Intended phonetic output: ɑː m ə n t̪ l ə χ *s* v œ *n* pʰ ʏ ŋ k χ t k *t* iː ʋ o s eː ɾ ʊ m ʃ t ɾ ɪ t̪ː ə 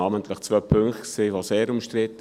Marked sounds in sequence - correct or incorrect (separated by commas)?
incorrect, incorrect, incorrect